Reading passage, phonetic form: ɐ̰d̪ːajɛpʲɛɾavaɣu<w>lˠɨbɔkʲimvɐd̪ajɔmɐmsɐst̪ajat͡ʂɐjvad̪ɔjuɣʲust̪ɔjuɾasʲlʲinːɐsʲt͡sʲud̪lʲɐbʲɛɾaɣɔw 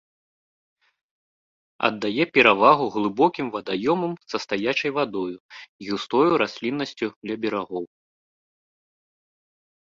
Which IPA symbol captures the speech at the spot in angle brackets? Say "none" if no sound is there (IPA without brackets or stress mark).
ɣ